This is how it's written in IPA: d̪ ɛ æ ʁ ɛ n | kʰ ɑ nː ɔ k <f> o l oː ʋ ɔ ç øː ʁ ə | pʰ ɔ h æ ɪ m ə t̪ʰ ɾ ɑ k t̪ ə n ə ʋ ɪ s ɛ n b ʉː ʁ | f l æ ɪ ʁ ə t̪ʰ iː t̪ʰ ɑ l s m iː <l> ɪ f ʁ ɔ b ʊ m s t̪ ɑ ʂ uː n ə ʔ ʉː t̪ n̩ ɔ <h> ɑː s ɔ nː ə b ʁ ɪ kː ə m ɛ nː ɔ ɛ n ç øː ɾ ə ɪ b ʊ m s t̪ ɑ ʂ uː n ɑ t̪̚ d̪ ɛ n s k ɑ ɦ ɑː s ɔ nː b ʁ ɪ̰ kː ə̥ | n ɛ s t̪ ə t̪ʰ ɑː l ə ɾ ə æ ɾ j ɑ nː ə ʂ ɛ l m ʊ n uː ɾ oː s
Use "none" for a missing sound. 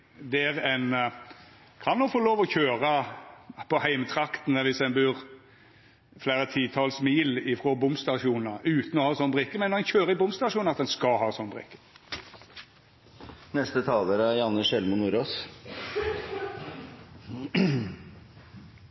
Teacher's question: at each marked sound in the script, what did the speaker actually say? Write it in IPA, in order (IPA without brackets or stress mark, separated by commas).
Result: f, l, h